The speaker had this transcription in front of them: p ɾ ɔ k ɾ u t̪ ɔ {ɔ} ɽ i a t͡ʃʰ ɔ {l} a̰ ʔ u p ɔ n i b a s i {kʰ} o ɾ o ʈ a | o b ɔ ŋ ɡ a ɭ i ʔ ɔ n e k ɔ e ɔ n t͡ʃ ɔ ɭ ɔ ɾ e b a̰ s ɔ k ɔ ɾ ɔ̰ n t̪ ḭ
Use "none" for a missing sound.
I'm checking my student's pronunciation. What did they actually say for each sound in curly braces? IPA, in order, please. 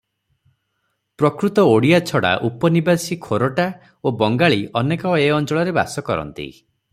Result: o, ɽ, kʰ

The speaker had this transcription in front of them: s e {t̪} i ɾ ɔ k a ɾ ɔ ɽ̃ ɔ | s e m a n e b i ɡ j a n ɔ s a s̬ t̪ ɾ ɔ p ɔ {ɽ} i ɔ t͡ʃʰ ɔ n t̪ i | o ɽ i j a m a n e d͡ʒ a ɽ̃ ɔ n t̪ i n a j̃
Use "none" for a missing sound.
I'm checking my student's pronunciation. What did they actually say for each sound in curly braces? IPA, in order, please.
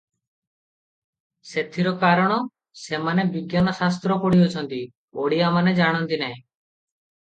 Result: t̪ʰ, ɽ

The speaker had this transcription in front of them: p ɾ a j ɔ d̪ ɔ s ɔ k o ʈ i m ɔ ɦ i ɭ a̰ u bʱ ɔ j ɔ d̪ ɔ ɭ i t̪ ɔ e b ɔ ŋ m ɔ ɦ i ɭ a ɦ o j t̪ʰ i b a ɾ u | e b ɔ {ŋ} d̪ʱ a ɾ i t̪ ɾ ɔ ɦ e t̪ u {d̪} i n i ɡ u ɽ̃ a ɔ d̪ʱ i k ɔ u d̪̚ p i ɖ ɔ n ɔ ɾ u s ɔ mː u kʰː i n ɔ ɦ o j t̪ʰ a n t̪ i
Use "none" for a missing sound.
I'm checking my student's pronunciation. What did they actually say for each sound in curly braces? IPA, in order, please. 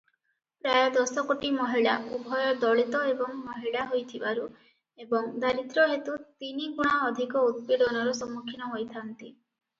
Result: ŋ, t̪

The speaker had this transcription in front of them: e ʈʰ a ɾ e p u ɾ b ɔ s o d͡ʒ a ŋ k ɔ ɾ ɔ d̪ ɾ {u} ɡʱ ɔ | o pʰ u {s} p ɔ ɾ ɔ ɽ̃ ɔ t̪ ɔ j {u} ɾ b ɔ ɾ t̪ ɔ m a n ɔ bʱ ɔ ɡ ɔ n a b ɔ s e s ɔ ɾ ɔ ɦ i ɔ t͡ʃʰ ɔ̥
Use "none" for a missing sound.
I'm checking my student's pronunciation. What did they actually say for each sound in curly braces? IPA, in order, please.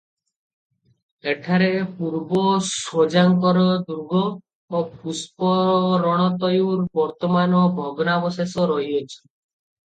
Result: u, s, u

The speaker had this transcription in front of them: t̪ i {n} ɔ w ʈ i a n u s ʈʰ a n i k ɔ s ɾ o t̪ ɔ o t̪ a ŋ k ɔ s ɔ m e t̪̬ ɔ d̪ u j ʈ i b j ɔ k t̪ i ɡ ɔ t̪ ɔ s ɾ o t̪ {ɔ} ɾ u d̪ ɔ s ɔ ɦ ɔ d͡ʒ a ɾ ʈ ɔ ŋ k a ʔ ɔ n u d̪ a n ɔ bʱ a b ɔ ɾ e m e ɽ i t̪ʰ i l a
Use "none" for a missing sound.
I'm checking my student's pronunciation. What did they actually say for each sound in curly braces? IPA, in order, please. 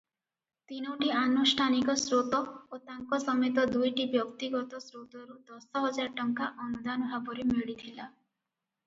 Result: n, ɔ

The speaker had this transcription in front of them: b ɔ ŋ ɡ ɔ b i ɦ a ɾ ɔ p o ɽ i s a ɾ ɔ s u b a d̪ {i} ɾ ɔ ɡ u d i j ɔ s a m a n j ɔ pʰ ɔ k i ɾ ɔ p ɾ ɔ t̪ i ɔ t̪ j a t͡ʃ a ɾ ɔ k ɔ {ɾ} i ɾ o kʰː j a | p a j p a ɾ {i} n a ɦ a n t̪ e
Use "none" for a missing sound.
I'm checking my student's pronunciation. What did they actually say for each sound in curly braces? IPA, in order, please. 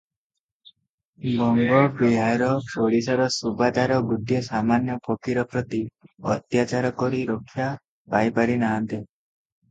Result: a, ɾ, i

